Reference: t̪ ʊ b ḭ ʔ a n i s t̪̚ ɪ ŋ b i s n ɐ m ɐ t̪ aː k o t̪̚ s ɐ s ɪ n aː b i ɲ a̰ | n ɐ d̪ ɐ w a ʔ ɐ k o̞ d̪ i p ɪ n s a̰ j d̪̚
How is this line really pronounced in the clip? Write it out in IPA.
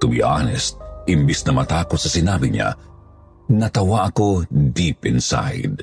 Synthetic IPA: t̪ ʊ b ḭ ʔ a n ɛ s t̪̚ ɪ m b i s n ɐ m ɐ t̪ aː k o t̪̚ s ɐ s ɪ n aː b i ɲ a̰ | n ɐ t̪ ɐ w a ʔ ɐ k o̞ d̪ i p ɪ n s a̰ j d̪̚